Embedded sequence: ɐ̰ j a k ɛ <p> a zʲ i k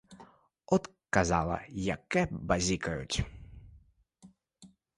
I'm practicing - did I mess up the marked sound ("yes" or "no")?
yes